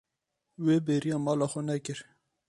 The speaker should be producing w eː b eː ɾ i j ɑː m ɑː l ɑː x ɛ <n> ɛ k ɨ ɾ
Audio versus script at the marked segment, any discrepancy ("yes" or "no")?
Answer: no